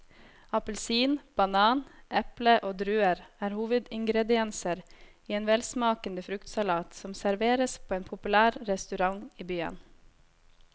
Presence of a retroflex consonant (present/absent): absent